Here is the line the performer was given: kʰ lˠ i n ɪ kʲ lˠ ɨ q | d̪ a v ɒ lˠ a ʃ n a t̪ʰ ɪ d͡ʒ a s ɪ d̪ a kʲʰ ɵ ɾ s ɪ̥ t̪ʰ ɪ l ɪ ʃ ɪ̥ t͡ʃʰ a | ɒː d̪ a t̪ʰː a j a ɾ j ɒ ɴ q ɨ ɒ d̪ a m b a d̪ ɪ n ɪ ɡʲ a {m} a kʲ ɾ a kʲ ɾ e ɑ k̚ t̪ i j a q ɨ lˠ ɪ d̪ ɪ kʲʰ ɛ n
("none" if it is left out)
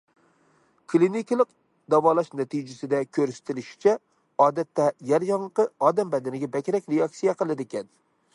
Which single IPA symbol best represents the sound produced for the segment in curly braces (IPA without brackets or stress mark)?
b